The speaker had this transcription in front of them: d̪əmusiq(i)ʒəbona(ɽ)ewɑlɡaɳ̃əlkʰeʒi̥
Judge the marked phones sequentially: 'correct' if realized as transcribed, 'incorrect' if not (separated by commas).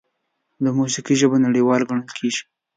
correct, correct